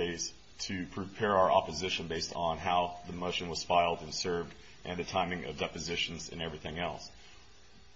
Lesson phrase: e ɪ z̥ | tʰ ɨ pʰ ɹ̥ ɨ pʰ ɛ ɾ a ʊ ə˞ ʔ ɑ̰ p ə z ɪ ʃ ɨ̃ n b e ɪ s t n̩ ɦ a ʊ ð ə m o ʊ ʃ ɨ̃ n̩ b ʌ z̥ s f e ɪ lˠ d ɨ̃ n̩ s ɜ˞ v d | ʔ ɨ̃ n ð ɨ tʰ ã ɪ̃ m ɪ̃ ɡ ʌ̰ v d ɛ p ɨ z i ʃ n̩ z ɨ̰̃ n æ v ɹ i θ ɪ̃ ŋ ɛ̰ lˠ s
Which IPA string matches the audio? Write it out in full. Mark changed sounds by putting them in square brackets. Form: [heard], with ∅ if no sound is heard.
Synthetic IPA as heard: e ɪ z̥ | tʰ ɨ pʰ ɹ̥ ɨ pʰ ɛ [ɹ] a ʊ ə˞ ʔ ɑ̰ p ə z ɪ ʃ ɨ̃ n b e ɪ s t n̩ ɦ a ʊ ð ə m o ʊ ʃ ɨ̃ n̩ [w] ʌ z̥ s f [a] ɪ lˠ d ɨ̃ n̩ s ɜ˞ v d | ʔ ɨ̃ n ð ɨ tʰ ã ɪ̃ m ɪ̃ [ŋ] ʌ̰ v d ɛ p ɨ z [ɪ] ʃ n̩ z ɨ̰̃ n [ɛ] v ɹ i θ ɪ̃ ŋ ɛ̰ lˠ s